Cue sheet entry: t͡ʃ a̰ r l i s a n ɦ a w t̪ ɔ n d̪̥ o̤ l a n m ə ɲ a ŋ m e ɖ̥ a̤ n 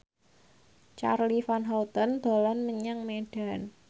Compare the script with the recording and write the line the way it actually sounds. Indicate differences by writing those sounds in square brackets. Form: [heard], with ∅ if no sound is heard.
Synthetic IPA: t͡ʃ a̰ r l i [f] a n ɦ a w t̪ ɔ n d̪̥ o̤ l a n m ə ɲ a ŋ m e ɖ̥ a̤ n